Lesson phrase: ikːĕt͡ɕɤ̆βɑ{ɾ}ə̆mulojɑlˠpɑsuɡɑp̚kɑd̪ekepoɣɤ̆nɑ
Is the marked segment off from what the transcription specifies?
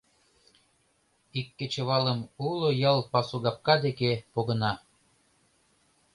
yes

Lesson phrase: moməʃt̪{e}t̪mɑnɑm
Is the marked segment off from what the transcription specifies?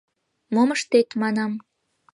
no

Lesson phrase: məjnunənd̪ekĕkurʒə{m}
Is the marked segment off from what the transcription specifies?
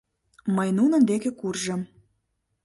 no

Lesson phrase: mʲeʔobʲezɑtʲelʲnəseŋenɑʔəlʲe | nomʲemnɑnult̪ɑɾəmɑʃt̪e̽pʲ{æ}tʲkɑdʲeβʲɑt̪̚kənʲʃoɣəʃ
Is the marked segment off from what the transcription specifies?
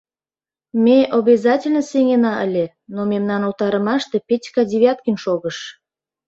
yes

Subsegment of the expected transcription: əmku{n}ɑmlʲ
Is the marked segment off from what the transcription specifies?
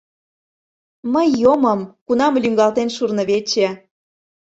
no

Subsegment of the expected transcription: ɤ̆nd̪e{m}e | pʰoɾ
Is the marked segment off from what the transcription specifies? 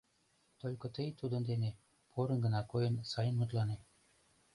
yes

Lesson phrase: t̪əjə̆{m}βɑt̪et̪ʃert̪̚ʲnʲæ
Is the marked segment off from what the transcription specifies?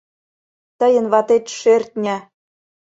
yes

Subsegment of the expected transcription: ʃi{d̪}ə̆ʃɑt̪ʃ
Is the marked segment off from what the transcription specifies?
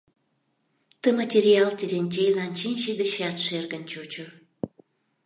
no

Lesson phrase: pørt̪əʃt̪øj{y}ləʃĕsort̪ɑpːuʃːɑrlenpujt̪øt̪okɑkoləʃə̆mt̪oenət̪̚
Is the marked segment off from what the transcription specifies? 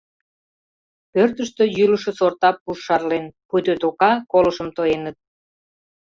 no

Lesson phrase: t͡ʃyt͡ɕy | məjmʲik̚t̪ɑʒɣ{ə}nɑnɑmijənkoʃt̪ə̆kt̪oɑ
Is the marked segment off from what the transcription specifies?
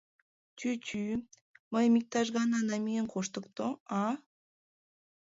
yes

